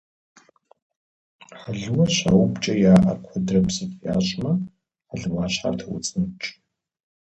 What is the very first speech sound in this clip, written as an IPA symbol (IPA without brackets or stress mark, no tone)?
ħ